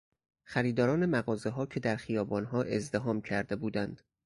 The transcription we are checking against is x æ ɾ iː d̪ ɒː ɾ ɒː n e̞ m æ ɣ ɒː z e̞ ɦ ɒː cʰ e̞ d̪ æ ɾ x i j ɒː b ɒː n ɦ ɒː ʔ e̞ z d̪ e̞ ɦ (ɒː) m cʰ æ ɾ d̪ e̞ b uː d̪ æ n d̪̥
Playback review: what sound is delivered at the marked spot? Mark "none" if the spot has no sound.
ɒː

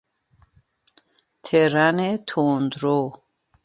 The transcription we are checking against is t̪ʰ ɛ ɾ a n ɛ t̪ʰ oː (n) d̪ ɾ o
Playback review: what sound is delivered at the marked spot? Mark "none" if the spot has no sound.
n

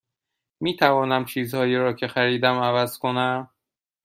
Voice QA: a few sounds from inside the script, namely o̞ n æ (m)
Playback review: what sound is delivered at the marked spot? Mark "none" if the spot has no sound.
m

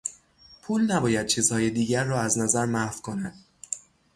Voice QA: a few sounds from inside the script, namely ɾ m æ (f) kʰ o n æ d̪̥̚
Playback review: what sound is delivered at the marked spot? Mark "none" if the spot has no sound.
f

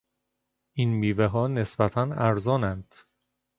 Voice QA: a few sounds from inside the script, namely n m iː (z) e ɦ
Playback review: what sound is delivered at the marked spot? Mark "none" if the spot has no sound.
v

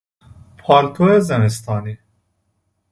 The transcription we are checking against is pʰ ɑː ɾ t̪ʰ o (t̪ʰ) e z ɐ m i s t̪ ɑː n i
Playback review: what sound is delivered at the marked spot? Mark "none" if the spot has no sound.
none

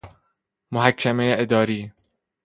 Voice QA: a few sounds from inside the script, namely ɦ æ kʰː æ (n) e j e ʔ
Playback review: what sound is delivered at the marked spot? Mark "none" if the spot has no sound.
m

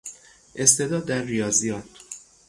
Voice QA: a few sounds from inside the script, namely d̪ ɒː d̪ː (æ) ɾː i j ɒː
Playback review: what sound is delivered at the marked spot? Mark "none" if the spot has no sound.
æ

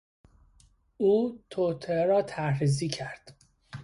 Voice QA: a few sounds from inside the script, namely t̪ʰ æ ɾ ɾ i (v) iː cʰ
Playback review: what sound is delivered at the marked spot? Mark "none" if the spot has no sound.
z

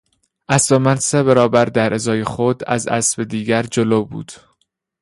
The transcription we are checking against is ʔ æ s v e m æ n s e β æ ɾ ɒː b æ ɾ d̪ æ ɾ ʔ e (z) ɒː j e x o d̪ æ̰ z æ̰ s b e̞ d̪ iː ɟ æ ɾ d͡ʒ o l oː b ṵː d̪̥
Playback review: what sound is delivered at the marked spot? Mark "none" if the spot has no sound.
z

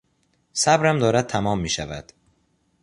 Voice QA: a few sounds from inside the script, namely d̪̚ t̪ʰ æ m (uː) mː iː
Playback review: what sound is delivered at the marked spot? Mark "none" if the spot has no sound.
ɒː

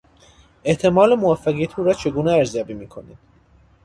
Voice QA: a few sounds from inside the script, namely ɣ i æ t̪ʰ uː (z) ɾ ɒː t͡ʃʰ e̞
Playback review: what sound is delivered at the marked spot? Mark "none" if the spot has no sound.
none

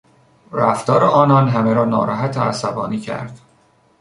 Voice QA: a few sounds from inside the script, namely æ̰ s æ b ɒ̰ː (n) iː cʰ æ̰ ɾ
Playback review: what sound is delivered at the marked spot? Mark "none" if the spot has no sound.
n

